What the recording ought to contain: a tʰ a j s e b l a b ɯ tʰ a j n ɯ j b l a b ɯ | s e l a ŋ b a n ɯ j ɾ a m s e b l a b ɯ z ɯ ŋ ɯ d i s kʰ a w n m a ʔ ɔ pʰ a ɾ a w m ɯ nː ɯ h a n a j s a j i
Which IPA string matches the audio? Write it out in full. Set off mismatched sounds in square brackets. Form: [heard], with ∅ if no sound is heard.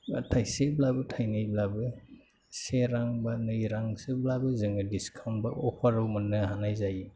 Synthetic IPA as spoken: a tʰ a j s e b l a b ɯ tʰ a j n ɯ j b l a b ɯ | s e [ɾ] a ŋ b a n ɯ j ɾ a [ŋ] s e b l a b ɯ z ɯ ŋ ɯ d i s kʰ a w n [b] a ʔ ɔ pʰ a ɾ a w m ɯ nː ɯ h a n a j [z] a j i